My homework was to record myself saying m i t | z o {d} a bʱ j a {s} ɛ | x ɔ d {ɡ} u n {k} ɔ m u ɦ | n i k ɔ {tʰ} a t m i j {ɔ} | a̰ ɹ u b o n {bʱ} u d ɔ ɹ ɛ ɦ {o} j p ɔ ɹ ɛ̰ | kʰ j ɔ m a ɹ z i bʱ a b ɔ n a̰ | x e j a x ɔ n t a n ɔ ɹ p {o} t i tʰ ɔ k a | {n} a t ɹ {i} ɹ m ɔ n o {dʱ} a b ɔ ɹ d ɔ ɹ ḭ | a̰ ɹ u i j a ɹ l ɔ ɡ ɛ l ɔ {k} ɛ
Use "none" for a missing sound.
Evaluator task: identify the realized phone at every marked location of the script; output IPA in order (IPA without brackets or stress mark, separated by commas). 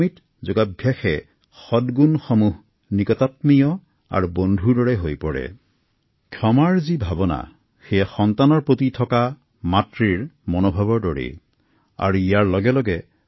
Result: ɡ, x, ɡ, x, t, ɔ, dʱ, o, o, m, i, bʱ, ɡ